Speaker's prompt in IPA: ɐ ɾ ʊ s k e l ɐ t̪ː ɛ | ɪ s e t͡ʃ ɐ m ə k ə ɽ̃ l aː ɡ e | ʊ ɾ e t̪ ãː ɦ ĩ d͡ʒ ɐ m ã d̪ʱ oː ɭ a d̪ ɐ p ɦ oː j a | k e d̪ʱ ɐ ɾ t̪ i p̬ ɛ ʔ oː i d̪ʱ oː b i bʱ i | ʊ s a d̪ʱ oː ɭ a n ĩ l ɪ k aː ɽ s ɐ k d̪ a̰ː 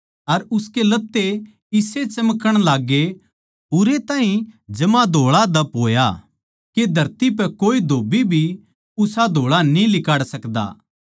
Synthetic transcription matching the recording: ɐ ɾ ʊ s k e l ɐ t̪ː e | ɪ s e t͡ʃ ɐ m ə k ə ɽ̃ l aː ɡ e | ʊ ɾ e t̪ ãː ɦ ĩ d͡ʒ ɐ m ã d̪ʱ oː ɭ a d̪ ɐ p ɦ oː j a | k e d̪ʱ ɐ ɾ t̪ i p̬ ɛ k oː i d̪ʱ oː b i bʱ i | ʊ s a d̪ʱ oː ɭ a n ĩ l ɪ k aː ɽ s ɐ k d̪ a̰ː

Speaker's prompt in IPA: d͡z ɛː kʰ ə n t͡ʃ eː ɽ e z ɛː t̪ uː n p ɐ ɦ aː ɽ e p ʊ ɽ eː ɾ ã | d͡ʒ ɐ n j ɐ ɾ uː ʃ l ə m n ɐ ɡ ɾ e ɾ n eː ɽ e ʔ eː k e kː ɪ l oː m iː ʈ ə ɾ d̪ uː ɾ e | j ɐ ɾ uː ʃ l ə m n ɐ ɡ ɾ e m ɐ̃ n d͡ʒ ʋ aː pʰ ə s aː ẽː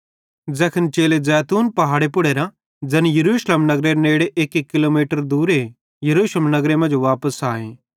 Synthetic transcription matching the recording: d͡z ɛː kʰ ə n t͡ʃ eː l e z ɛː t̪ uː n p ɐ ɦ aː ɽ e p ʊ ɽ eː ɾ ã | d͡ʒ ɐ n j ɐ ɾ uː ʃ l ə m n ɐ ɡ ɾ e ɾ n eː ɽ e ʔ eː k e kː ɪ l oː m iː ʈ ə ɾ d̪ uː ɾ e | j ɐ ɾ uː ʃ l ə m n ɐ ɡ ɾ e m ɐ̃ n d͡ʒ ʋ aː p ə s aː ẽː

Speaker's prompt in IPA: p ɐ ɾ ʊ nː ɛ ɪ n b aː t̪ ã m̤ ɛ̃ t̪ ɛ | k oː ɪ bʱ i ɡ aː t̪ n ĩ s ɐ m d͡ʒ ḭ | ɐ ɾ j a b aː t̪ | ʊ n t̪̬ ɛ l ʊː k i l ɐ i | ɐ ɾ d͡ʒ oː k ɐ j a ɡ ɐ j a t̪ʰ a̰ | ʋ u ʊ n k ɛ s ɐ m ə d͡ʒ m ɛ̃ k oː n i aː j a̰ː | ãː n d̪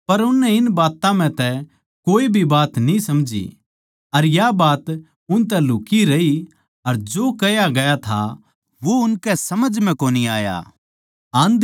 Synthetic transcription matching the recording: p ɐ ɾ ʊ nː ɛ ɪ n b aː t̪ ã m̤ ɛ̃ t̪ ɛ | k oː i bʱ i b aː t̪ n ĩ s ɐ m d͡ʒ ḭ | ɐ ɾ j a b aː t̪ | ʊ n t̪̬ ɛ l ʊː k i ɾ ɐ i | ɐ ɾ d͡ʒ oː k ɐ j a ɡ ɐ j a t̪ʰ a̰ | ʋ o ʊ n k ɛ s ɐ m ə d͡ʒ m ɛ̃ k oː n i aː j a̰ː | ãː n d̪

